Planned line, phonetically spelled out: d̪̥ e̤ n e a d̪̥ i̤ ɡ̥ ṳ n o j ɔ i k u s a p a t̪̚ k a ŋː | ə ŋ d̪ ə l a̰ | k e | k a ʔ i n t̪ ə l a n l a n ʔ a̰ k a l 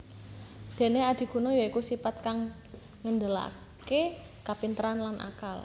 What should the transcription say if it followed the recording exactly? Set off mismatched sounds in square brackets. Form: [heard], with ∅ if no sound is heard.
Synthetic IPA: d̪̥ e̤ n e a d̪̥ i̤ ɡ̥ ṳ n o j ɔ i k u s [i] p a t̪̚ k a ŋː | ə [n] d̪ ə l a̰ | k e | k a [p] i n t̪ ə [ɾ] a n l a n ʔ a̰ k a l